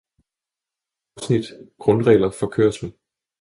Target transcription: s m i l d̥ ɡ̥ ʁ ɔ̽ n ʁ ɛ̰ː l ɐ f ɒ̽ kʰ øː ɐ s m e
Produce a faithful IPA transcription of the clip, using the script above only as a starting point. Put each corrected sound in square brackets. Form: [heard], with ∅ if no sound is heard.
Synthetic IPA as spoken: s [n] i [∅] d̥ ɡ̥ ʁ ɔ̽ n ʁ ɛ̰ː l ɐ f ɒ̽ kʰ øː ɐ s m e